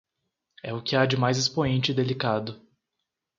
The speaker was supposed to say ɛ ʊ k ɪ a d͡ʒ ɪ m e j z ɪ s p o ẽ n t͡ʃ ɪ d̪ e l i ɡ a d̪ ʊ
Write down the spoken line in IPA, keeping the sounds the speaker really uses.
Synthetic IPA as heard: ɛ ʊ k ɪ a d͡ʒ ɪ m a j z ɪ s p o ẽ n t͡ʃ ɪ d̪ e l i k a d̪ ʊ